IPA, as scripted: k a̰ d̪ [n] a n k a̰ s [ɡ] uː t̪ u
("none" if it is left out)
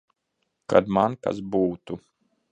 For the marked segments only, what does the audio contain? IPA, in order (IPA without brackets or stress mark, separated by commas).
m, b